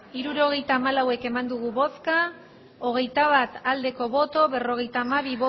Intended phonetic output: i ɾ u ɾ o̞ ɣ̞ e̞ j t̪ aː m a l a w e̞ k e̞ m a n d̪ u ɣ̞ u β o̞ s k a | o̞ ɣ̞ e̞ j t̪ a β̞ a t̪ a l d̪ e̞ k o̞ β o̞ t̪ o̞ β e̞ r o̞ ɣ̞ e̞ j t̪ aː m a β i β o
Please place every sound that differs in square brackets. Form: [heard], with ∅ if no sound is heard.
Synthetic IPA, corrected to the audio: i ɾ u ɾ o̞ ɣ̞ e̞ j t̪ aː m a l a w e̞ k e̞ m a n d̪ u ɣ̞ u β o̞ s k a | o̞ ɣ̞ e̞ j t̪ a β̞ a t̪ a l d̪ e̞ k o̞ β o̞ t̪ o̞ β e̞ r o̞ ɣ̞ e̞ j t̪ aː m a β i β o